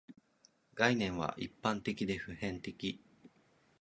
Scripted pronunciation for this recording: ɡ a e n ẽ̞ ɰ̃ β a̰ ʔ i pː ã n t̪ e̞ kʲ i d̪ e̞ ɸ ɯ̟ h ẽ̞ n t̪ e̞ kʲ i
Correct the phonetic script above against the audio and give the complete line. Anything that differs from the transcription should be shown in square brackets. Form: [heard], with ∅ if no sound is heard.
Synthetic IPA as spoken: ɡ a [i] n ẽ̞ ɰ̃ β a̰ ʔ i pː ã n t̪ e̞ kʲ i d̪ e̞ ɸ ɯ̟ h ẽ̞ n t̪ e̞ kʲ i